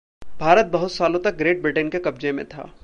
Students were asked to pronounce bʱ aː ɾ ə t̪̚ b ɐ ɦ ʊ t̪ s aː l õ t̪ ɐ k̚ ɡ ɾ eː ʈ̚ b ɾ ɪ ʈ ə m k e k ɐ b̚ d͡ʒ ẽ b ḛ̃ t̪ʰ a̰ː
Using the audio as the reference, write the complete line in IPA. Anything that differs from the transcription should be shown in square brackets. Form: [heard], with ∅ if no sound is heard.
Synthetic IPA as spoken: bʱ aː ɾ ə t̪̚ b ɐ ɦ ʊ t̪ s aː l õ t̪ ɐ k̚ ɡ ɾ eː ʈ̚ b ɾ ɪ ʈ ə [n] k e k ɐ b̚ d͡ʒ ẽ [m] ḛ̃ t̪ʰ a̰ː